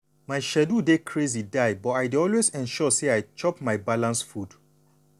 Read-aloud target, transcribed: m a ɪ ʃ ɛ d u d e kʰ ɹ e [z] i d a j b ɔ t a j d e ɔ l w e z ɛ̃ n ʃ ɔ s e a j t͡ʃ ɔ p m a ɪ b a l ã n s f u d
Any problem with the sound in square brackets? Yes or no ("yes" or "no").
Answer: no